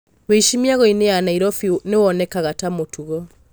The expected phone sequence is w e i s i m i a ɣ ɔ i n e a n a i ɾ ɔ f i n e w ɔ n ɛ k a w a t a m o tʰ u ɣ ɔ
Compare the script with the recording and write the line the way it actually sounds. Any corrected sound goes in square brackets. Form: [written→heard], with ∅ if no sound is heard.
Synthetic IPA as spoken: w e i [s→ʃ] i m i a ɣ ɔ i n e a n a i ɾ ɔ f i n e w ɔ n ɛ k a [w→ɣ] a t a m o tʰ u ɣ ɔ